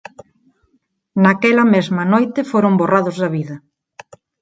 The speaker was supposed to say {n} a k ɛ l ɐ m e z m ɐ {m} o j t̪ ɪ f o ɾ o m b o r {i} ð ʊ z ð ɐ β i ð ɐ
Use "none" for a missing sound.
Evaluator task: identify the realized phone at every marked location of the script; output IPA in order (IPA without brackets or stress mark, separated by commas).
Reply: n, n, a